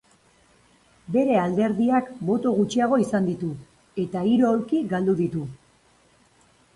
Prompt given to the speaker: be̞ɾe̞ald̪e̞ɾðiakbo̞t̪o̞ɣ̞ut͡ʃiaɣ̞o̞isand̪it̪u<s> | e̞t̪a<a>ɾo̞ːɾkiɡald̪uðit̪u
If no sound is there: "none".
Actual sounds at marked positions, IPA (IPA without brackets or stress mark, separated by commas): none, i